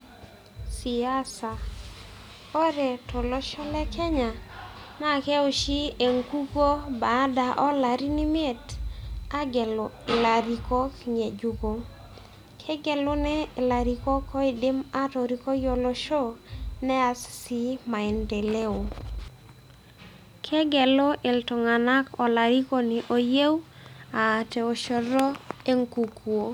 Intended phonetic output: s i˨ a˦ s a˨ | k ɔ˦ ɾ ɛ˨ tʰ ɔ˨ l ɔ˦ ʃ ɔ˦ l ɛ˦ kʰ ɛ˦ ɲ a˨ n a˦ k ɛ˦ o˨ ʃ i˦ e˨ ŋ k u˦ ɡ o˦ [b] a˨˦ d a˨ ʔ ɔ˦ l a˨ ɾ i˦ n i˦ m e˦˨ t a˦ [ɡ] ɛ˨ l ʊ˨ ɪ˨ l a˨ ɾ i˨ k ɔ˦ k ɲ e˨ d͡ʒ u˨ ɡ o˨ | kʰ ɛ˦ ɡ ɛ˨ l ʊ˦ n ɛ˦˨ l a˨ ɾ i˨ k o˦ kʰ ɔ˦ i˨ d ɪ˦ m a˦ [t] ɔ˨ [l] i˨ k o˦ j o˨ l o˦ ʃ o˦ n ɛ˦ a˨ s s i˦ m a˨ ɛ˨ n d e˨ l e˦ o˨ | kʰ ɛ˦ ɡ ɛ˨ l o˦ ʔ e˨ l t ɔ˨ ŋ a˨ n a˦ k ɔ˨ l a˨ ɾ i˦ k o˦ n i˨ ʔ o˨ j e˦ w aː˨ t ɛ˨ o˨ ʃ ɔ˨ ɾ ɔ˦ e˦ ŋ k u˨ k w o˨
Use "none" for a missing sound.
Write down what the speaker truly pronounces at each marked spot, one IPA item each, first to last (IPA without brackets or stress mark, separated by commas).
b, ɡ, t, ɾ